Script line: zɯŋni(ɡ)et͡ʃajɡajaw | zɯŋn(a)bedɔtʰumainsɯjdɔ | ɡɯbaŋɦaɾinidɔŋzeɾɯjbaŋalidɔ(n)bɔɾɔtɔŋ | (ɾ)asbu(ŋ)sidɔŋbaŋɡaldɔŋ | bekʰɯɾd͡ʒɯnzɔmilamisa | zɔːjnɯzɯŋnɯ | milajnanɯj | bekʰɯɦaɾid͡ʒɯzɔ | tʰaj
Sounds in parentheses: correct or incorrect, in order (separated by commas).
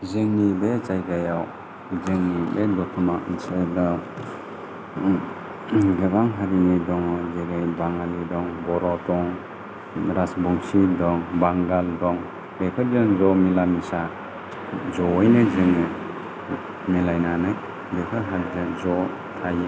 incorrect, incorrect, incorrect, correct, correct